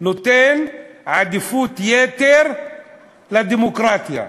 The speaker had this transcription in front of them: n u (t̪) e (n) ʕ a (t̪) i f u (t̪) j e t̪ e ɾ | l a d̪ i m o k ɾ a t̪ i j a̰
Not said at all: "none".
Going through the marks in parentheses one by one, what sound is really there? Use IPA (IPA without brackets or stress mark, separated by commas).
t̪, n, d̪, t̪